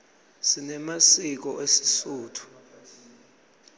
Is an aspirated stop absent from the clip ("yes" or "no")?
no